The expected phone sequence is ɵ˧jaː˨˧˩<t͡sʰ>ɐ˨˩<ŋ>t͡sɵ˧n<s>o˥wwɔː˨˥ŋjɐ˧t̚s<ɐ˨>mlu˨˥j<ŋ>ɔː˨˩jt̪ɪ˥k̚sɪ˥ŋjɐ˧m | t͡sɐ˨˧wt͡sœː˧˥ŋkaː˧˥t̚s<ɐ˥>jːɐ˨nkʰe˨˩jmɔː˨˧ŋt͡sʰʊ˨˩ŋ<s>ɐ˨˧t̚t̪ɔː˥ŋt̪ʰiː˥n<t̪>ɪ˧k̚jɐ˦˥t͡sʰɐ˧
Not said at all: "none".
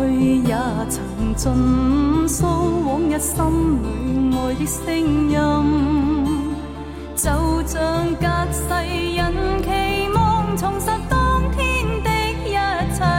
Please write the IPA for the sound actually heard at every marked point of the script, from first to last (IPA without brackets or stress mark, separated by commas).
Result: t͡sʰ, ŋ, s, ɐ˥, ŋ, ɐ˧, s, t̪